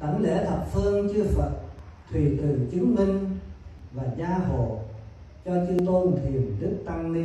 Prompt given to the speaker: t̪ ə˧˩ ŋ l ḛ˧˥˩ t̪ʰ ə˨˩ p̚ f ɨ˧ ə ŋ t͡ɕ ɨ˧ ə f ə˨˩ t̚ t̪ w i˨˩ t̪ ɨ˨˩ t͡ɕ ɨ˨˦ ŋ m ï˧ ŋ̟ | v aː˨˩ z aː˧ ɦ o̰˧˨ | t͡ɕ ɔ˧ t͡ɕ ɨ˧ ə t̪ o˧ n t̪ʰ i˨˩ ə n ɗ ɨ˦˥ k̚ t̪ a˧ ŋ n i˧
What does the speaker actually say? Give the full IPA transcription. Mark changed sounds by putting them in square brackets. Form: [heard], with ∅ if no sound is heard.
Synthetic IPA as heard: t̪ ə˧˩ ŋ l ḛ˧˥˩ t̪ʰ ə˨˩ p̚ f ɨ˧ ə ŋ t͡ɕ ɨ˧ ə f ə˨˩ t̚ [t̪ʰ] w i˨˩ t̪ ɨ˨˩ t͡ɕ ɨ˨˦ ŋ m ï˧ ŋ̟ | v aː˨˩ z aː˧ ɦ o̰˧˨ | t͡ɕ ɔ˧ t͡ɕ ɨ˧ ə t̪ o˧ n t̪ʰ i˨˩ ə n ɗ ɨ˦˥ k̚ t̪ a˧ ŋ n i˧